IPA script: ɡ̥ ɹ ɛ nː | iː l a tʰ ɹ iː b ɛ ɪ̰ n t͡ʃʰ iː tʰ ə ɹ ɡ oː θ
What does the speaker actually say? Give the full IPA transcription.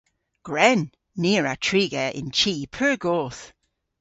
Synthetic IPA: ɡ̥ ɹ ɛ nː | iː ɹ a tʰ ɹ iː ɡ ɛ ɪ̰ n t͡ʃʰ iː pʰ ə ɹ ɡ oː θ